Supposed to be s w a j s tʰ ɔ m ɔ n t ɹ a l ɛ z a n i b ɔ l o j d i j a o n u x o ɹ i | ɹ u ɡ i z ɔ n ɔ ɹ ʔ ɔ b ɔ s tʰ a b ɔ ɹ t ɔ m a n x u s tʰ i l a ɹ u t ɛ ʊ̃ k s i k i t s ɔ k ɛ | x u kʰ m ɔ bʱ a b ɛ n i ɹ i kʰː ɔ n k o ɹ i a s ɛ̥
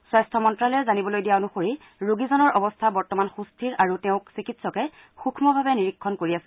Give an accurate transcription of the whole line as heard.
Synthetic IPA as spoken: s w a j s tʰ ɔ m ɔ n t ɹ a l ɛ z a n i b ɔ l o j d i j a o n u x o ɹ i | ɹ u ɡ i z ɔ n ɔ ɹ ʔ ɔ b ɔ s tʰ a b ɔ ɹ t ɔ m a n x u s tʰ i ɹ a ɹ u t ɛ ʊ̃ k s i k i t s ɔ k ɛ | x u kʰ m ɔ bʱ a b ɛ n i ɹ i kʰː ɔ n k o ɹ i a s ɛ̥